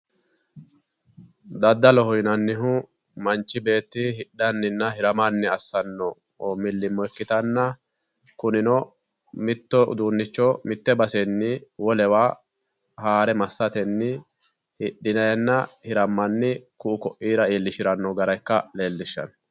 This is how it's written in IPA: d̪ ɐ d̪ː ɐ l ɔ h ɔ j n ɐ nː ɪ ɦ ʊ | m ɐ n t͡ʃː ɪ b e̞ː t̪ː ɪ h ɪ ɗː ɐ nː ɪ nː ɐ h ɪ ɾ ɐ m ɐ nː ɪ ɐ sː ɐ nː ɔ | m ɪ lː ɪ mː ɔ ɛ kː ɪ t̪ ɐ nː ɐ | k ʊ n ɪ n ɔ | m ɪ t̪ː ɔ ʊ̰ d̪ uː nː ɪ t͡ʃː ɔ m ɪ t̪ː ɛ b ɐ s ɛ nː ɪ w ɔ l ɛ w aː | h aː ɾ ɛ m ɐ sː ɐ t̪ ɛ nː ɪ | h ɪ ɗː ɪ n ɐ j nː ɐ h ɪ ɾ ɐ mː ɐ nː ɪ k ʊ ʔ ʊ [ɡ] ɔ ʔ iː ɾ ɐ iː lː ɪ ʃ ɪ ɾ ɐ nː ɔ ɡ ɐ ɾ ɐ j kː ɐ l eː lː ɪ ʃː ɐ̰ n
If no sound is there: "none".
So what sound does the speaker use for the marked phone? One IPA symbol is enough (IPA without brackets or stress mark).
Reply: k